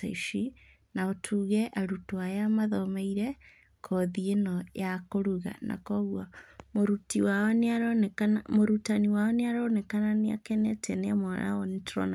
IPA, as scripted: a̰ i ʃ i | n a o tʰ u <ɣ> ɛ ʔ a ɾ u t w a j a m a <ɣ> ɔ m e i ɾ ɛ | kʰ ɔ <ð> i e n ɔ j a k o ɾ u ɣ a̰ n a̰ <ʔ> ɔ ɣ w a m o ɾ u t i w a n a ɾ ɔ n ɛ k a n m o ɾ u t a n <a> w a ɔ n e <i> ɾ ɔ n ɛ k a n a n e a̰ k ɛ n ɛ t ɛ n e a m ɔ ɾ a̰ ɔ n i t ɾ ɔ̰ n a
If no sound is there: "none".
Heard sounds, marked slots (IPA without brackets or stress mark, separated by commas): ɣ, ð, ð, k, i, a